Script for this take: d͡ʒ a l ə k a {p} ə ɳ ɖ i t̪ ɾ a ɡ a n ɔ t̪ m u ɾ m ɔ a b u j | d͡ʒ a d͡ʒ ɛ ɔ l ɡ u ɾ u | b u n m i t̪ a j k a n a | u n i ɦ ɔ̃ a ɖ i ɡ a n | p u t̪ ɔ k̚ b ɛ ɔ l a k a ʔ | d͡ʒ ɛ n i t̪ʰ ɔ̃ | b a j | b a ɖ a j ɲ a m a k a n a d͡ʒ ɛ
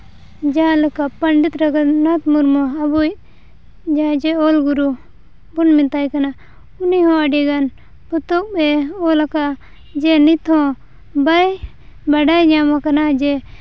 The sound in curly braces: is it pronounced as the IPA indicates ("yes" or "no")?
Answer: yes